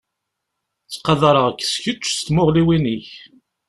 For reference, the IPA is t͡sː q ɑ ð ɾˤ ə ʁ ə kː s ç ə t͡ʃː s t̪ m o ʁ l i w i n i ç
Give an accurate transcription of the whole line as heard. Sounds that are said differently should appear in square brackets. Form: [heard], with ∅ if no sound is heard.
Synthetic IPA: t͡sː q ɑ ð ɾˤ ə ʁ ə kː s ç ə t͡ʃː s t̪ m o ʁ l i w i n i ç

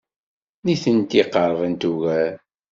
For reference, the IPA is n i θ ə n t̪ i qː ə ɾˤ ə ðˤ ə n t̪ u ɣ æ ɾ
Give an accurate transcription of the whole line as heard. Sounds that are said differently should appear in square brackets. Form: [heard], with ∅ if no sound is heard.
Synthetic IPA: n i θ ə n t̪ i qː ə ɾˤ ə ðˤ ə n t̪ u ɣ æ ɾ

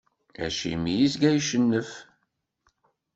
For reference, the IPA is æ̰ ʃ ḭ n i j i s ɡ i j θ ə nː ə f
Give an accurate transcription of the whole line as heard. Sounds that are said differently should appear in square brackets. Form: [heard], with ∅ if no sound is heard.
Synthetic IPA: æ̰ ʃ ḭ [m] i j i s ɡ [æ] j [ʃ] ə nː ə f

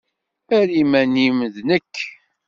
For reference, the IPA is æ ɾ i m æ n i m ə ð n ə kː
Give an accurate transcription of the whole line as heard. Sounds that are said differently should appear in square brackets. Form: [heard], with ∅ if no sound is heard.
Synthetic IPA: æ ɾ i m æ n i m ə ð n ə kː

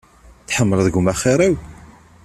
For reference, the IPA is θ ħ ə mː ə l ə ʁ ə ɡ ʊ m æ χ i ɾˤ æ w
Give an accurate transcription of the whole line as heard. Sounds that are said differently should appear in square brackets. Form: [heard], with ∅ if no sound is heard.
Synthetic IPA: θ ħ ə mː ə l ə [ð] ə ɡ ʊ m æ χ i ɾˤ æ w

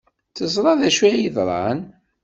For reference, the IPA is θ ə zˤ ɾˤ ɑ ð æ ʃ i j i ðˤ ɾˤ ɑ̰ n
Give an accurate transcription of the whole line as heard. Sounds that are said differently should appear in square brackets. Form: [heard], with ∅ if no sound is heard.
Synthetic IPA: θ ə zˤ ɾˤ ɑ ð æ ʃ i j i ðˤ ɾˤ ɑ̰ n

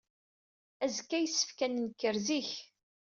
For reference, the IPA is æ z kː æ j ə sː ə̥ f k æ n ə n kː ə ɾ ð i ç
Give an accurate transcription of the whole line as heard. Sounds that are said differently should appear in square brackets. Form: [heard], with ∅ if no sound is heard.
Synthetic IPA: æ z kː æ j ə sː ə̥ f k æ n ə n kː ə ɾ [z] i ç

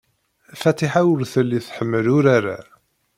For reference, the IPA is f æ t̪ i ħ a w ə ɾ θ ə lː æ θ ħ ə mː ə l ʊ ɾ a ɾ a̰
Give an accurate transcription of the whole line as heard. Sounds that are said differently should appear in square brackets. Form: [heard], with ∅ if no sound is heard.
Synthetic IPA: f æ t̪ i ħ a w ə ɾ θ ə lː [i] θ ħ ə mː ə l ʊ ɾ a ɾ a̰

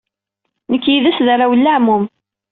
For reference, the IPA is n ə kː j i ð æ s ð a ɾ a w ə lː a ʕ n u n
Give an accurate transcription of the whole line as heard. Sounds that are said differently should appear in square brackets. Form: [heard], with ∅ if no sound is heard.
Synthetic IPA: n ə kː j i ð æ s ð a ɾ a w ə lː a ʕ [m] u [m]

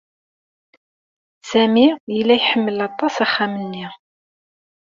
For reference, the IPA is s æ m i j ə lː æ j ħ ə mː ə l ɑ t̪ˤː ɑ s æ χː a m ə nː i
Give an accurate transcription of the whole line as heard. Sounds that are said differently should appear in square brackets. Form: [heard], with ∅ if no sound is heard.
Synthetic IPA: s æ m i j ə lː æ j ħ ə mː ə l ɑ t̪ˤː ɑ s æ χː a m ə nː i

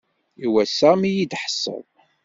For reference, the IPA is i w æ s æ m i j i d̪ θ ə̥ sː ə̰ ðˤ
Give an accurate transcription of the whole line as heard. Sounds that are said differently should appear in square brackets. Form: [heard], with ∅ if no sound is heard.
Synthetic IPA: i w æ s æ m i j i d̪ [ħ] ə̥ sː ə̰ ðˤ

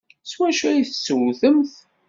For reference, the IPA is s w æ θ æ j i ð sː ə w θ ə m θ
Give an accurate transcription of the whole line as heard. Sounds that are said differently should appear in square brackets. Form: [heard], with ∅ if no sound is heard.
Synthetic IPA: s w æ [ʃ] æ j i [θ] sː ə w θ ə m θ

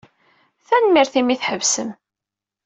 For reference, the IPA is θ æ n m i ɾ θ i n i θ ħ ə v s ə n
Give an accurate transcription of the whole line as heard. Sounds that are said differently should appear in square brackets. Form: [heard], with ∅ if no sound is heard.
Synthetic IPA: θ æ n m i ɾ θ i [m] i θ ħ ə v s ə [m]

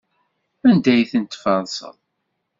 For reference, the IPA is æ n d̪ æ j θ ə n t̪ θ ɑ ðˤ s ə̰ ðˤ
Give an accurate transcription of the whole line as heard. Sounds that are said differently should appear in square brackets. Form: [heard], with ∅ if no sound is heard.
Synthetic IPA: æ n d̪ æ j θ ə n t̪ [f] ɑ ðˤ s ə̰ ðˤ

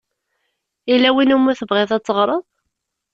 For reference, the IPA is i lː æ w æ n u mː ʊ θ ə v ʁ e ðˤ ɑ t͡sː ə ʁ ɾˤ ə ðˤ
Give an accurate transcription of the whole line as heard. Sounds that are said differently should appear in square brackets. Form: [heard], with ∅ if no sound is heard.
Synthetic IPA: i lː æ w [i] n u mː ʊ θ ə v ʁ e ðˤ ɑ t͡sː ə ʁ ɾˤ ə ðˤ

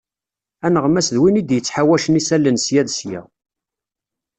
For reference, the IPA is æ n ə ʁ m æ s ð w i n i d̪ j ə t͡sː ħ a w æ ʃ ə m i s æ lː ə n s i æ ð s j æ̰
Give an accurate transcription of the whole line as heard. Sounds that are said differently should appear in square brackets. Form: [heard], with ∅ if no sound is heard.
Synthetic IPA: æ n ə ʁ m æ s ð w i n i d̪ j ə t͡sː ħ a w æ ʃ ə [n] i s æ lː ə n s [j] æ ð s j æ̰

